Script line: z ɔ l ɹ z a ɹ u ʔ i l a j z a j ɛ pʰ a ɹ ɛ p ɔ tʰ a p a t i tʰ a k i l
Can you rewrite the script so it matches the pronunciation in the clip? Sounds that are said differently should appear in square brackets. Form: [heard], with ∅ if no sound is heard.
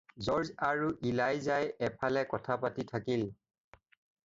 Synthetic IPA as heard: z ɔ [∅] ɹ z a ɹ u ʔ i l a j z a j ɛ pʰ a [l] ɛ [k] ɔ tʰ a p a t i tʰ a k i l